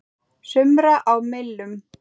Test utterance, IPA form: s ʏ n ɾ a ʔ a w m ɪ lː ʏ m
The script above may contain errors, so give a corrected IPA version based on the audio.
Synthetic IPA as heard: s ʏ m ɾ a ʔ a w m ɪ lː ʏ m